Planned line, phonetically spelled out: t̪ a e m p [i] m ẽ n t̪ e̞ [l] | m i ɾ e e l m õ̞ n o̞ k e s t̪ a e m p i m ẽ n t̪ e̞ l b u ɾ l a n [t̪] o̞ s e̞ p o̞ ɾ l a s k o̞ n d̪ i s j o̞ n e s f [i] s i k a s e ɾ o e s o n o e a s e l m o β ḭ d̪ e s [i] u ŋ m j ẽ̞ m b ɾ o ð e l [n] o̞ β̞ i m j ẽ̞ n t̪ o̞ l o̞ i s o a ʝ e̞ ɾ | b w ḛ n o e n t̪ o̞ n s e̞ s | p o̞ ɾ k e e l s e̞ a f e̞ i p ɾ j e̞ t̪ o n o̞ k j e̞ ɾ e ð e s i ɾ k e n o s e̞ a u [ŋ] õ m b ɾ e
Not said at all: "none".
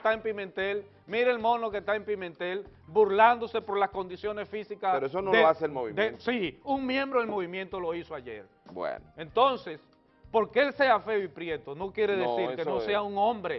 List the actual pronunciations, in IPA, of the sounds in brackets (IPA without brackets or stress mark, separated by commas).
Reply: i, l, d̪, i, i, m, ŋ